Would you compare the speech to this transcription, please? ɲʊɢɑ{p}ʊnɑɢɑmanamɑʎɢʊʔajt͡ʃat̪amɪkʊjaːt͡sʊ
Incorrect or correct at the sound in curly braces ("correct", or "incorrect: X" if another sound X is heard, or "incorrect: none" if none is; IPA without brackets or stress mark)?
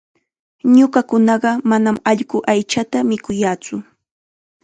incorrect: k